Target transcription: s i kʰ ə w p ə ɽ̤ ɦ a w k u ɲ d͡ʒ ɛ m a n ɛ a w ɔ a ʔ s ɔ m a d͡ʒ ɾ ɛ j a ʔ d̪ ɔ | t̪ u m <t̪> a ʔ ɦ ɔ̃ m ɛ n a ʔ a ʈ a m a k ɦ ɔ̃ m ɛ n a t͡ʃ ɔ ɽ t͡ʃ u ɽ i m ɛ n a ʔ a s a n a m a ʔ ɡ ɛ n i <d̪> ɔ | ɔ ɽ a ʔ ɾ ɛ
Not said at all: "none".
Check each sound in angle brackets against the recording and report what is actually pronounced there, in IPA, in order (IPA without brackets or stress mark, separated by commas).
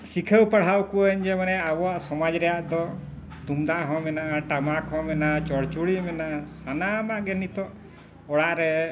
d̪, t̪